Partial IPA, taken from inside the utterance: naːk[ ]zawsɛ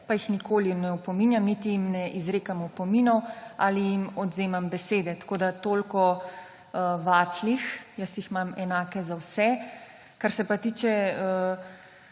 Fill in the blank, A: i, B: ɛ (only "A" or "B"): B